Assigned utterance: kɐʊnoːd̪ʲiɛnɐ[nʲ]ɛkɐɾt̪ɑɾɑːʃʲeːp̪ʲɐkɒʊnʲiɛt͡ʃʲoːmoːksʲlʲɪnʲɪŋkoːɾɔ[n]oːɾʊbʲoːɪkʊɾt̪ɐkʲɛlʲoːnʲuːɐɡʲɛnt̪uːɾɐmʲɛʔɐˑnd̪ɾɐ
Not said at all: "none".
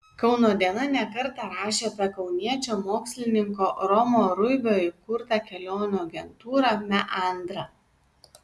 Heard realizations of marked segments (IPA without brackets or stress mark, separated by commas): nʲ, m